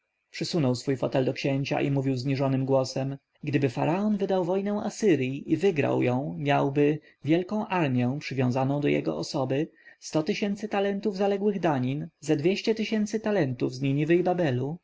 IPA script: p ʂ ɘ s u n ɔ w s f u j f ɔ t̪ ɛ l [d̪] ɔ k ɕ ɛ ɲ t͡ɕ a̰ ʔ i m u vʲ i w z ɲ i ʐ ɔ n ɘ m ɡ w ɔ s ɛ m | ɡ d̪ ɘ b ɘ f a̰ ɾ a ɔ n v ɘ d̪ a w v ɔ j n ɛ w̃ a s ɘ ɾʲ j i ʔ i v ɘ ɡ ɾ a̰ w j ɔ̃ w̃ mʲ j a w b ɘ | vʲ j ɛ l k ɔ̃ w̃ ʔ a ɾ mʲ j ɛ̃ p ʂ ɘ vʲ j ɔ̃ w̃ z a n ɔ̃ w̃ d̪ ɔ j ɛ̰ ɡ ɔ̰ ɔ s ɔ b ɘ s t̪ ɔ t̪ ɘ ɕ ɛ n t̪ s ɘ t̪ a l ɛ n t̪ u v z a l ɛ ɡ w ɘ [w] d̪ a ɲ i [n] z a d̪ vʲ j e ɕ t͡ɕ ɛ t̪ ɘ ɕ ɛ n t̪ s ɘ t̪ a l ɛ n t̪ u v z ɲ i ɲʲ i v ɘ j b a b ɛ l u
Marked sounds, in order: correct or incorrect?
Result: correct, incorrect, correct

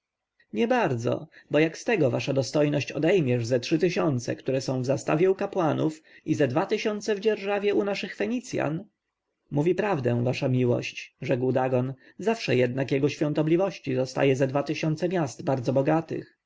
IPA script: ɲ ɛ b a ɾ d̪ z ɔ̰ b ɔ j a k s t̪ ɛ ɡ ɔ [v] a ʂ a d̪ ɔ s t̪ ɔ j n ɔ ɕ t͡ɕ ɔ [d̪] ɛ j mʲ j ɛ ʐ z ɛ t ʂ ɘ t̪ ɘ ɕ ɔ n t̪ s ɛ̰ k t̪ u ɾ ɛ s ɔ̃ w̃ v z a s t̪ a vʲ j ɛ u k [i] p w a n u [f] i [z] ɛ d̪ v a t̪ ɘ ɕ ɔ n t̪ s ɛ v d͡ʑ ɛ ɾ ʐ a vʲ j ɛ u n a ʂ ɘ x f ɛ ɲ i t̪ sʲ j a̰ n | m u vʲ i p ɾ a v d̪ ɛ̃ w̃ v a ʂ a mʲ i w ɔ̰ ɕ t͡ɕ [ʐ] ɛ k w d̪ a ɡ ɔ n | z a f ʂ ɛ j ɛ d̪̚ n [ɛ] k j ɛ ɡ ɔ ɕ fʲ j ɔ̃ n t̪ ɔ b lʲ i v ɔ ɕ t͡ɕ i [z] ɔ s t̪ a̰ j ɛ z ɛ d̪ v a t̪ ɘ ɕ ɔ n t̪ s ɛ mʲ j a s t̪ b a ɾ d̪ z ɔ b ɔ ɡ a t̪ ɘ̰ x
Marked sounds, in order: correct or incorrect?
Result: correct, correct, incorrect, correct, correct, correct, incorrect, correct

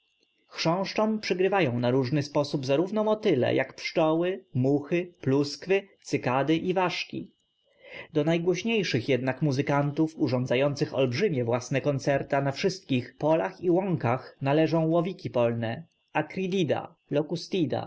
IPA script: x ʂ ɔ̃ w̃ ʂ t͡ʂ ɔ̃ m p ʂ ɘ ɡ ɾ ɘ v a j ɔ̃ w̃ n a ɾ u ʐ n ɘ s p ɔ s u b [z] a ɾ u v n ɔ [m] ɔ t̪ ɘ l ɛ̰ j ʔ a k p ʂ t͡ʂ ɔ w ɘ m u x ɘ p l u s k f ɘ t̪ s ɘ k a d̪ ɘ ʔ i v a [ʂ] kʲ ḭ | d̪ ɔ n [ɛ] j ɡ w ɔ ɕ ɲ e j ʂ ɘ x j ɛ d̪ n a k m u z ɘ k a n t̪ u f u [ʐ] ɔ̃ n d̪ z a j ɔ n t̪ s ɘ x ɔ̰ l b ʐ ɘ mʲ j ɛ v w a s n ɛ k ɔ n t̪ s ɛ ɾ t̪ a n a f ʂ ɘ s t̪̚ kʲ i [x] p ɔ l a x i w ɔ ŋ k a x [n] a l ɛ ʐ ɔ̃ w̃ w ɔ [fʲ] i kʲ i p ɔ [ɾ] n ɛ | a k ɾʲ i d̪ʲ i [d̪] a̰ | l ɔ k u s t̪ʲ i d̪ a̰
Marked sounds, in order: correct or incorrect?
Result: correct, correct, correct, incorrect, correct, correct, correct, incorrect, incorrect, correct

